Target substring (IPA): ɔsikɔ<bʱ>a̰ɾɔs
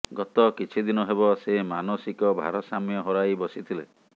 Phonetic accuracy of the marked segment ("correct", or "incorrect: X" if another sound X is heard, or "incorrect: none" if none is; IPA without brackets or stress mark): correct